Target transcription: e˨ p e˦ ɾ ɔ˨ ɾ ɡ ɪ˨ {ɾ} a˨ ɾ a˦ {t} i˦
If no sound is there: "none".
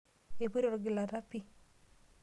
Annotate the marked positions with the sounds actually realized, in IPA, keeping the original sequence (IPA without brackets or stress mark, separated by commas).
l, p